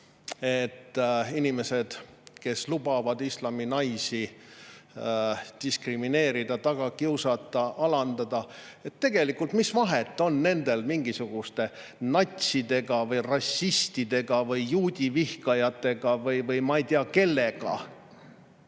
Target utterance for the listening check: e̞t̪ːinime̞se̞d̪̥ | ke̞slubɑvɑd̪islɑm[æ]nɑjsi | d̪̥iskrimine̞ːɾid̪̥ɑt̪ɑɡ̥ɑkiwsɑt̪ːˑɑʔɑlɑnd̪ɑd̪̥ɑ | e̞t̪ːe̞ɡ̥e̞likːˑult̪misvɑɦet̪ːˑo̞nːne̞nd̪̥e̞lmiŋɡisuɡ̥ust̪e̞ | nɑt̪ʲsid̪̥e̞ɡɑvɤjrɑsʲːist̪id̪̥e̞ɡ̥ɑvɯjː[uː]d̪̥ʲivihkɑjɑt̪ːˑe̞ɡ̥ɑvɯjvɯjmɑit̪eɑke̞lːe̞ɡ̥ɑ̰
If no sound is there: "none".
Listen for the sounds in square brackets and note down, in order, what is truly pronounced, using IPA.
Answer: i, uː

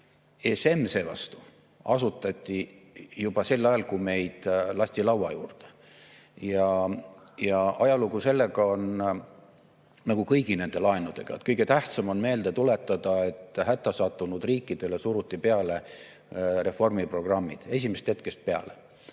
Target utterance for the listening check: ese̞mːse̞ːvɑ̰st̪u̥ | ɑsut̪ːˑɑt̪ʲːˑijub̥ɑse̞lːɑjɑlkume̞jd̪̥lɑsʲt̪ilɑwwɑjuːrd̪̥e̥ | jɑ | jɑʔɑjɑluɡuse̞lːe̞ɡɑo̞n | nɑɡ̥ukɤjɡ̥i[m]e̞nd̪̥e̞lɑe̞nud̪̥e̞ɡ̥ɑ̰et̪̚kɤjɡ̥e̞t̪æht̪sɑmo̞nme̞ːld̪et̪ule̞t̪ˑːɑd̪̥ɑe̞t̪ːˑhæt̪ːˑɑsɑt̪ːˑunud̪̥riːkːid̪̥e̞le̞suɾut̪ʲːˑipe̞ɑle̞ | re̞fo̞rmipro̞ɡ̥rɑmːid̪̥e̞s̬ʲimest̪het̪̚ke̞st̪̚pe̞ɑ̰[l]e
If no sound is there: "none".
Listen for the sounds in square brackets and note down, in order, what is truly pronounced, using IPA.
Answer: n, l

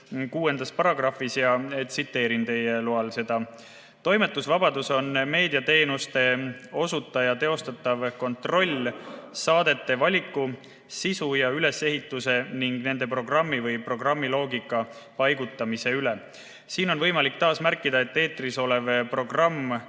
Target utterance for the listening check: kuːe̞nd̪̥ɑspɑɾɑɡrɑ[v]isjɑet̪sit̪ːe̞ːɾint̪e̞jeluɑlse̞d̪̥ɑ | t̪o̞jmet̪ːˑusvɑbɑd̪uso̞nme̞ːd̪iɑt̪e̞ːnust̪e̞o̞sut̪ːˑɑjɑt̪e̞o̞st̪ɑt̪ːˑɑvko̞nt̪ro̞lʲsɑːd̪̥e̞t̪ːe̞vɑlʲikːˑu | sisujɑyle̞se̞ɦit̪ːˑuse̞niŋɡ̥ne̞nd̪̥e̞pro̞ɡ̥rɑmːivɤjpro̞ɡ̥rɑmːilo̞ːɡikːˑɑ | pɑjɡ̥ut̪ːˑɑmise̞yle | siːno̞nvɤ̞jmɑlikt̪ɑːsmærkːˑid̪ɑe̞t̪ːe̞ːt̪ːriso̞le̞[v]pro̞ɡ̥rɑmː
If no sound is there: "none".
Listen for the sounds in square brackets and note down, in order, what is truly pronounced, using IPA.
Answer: f, v

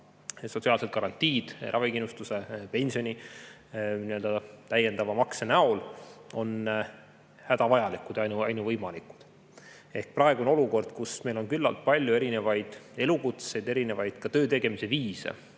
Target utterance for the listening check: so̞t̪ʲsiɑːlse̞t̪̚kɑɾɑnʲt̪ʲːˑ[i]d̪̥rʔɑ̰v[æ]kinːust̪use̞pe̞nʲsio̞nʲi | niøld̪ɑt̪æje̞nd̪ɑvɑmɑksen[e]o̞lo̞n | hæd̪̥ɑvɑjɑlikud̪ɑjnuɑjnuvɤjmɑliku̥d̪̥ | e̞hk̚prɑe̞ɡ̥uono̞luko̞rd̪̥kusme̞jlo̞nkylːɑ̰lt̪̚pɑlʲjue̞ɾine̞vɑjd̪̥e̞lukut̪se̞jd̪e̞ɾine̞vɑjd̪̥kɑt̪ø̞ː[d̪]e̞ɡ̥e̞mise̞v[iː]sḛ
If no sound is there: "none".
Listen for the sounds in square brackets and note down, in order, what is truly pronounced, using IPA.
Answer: iː, i, æ, t̪, iː

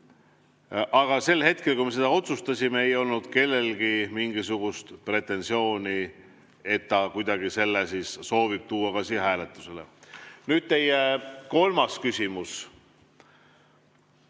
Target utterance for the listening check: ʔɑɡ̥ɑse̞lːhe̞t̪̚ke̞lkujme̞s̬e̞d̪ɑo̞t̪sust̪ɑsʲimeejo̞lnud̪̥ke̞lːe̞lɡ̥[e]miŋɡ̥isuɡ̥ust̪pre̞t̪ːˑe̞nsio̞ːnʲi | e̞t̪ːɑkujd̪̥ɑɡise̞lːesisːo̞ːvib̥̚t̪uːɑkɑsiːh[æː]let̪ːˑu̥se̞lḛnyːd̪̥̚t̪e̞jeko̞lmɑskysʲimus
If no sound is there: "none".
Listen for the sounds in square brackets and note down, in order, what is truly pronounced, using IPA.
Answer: i, æː

